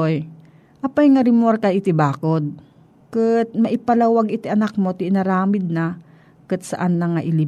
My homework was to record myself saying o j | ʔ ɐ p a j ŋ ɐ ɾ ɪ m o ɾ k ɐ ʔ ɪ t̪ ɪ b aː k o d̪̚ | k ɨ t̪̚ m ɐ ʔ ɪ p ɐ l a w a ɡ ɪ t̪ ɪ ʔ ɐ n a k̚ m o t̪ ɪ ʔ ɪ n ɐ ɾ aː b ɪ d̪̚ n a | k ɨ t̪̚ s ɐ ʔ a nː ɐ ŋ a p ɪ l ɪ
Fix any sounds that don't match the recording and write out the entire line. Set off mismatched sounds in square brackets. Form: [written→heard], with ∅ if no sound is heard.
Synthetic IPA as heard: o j | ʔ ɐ p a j ŋ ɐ ɾ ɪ m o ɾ k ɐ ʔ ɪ t̪ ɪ b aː k o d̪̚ | k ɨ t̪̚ m ɐ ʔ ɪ p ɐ l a w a ɡ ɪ t̪ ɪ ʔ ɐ n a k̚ m o t̪ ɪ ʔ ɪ n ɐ ɾ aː [b→m] ɪ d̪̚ n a | k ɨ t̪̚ s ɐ ʔ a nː ɐ ŋ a [p→ʔ] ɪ l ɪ